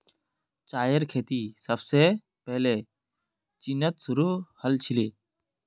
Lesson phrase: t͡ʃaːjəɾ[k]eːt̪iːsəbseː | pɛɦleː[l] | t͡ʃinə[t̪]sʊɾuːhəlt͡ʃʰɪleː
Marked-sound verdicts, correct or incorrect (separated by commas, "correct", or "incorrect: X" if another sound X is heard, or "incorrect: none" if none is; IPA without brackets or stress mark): incorrect: kʰ, incorrect: none, correct